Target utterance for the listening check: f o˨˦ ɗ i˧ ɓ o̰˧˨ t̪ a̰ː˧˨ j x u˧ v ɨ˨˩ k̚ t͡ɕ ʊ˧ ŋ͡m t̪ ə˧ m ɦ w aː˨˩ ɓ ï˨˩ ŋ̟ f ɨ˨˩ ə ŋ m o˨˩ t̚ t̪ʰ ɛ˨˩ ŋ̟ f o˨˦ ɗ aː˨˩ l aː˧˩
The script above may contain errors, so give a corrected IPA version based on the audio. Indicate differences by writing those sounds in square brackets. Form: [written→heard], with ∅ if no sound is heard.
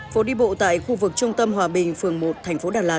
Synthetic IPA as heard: f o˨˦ ɗ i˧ ɓ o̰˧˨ t̪ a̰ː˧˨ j x u˧ v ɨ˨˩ k̚ t͡ɕ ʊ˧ ŋ͡m t̪ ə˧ m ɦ w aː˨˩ ɓ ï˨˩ ŋ̟ f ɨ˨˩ ə ŋ m o˨˩ t̚ t̪ʰ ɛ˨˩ ŋ̟ f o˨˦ ɗ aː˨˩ l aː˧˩